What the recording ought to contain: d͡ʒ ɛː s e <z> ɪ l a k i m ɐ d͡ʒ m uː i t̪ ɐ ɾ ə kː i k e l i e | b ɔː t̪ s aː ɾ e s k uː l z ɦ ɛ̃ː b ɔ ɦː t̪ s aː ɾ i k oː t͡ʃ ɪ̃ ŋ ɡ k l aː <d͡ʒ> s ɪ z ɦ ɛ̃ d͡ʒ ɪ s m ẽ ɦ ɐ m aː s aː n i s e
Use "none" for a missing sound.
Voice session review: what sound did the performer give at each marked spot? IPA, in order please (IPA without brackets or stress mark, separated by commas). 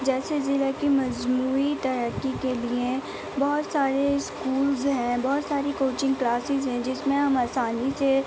z, none